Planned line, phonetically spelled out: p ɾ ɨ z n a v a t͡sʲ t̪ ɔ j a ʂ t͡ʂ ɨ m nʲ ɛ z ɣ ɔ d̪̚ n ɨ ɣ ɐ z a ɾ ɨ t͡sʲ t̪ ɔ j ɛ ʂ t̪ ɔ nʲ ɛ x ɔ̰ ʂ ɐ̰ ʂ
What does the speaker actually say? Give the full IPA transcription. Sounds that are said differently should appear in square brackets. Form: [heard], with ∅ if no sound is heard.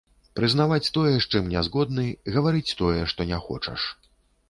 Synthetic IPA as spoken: p ɾ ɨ z n a v a t͡sʲ t̪ ɔ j [ɛ] ʂ t͡ʂ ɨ m nʲ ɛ z ɣ ɔ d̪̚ n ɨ ɣ ɐ [v] a ɾ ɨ t͡sʲ t̪ ɔ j ɛ ʂ t̪ ɔ nʲ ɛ x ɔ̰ [t͡ʂ] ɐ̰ ʂ